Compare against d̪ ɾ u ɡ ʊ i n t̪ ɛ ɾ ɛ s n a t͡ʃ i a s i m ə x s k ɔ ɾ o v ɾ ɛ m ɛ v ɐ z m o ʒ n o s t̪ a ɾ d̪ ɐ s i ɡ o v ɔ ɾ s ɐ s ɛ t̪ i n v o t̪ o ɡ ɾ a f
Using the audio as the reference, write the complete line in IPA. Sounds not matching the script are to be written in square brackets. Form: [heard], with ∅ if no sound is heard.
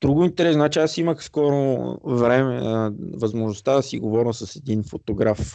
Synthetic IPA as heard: d̪ ɾ u ɡ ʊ i n t̪ ɛ ɾ ɛ s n a t͡ʃ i a s i m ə x s k ɔ ɾ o v ɾ ɛ m ɛ v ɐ z m o ʒ n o s t̪ a [∅] d̪ ɐ s i ɡ o v ɔ ɾ s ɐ s ɛ [d̪] i n [f] o t̪ o ɡ ɾ a f